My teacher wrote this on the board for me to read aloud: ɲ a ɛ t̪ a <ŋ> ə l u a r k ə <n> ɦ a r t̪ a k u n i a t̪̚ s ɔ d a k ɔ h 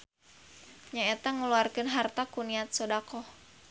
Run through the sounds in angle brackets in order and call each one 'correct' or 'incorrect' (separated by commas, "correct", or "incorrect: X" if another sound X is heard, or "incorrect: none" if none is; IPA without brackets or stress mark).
correct, correct